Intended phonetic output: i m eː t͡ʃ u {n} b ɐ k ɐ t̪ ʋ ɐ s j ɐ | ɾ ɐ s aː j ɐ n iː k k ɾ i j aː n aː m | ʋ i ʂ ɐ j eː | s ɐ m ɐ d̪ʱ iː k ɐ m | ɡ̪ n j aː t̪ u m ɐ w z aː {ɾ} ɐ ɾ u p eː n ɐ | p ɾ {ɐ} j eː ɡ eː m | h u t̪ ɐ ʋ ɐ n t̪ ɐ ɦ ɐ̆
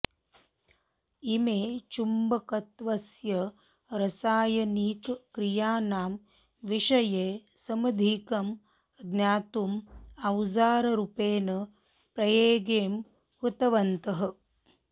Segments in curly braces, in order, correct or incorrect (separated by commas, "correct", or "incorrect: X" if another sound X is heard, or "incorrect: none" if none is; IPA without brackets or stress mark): incorrect: m, correct, correct